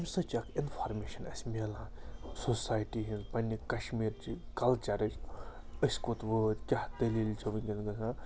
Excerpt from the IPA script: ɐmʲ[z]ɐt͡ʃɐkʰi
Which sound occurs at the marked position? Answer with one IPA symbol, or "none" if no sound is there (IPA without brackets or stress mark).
s